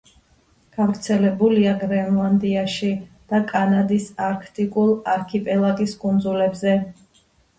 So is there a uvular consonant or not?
no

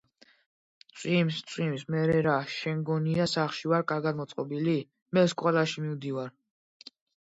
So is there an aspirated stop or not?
no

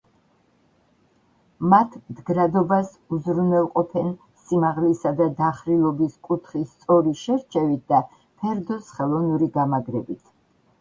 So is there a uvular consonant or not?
yes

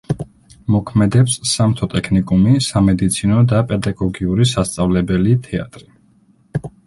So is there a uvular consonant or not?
no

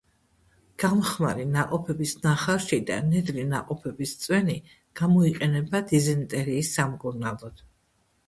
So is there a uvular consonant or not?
yes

